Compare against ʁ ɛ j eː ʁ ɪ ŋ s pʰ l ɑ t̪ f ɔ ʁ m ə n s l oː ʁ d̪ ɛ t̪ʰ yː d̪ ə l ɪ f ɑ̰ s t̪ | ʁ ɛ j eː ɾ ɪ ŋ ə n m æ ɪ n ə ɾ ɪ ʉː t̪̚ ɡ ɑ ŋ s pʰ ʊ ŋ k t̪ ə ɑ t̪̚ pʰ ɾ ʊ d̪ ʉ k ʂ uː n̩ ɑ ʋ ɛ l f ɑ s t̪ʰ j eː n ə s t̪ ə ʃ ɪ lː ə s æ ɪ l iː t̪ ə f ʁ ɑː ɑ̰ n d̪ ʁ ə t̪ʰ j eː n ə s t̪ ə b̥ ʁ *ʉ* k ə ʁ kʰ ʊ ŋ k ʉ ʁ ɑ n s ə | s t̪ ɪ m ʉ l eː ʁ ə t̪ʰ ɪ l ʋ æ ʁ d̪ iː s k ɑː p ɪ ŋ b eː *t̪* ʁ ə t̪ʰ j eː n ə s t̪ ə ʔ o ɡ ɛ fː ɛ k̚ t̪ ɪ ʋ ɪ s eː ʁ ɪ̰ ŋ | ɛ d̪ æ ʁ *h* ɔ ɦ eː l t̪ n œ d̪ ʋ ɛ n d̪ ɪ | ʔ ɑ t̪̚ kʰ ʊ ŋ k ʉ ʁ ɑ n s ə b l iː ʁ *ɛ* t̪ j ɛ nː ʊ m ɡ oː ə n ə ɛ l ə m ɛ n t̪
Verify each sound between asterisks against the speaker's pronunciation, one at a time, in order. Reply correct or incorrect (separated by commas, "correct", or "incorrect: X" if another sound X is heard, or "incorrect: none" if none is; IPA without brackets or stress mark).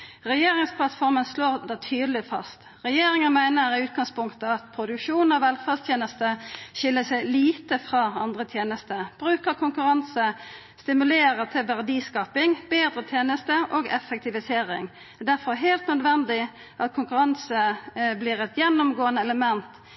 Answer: incorrect: ʉː, incorrect: d̪, incorrect: f, correct